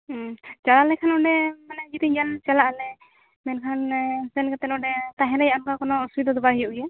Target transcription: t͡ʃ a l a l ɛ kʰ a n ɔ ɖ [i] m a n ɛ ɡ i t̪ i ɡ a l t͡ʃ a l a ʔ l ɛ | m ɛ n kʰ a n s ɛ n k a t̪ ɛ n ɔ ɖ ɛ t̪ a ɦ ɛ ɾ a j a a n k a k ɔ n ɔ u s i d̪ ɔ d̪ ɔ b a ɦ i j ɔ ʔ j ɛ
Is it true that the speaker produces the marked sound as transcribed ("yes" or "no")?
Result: no